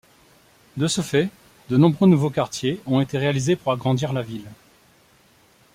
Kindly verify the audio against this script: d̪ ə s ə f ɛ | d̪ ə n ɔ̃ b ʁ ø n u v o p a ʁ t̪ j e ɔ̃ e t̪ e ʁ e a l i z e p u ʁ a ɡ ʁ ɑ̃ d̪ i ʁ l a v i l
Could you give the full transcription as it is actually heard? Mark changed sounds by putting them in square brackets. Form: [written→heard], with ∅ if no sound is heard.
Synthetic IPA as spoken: d̪ ə s ə f ɛ | d̪ ə n ɔ̃ b ʁ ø n u v o [p→k] a ʁ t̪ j e ɔ̃ e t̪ e ʁ e a l i z e p u ʁ a ɡ ʁ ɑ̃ d̪ i ʁ l a v i l